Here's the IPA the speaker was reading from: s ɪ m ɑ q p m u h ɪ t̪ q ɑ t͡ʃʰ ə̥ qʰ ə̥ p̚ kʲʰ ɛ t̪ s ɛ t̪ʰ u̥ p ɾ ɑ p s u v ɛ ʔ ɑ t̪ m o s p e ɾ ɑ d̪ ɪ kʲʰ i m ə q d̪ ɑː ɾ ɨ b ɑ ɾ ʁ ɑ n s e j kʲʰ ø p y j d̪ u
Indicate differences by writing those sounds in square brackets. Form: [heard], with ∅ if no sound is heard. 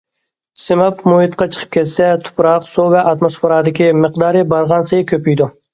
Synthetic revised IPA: s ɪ m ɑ [∅] p m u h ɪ t̪ q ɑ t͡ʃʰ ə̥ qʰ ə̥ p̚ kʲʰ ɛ t̪ s ɛ t̪ʰ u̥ p ɾ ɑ [q] s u v ɛ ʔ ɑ t̪ m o s p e ɾ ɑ d̪ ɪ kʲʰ i m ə q d̪ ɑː ɾ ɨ b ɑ ɾ ʁ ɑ n s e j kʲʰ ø p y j d̪ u